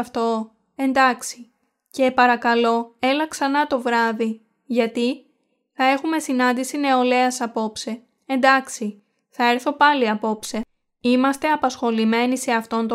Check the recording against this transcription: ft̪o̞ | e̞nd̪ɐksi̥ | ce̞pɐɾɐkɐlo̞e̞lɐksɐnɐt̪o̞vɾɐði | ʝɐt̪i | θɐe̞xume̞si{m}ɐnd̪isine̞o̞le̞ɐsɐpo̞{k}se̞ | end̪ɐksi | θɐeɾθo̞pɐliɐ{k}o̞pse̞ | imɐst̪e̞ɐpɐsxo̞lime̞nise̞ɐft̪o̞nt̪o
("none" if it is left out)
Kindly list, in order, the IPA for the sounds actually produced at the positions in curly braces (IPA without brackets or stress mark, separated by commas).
n, p, p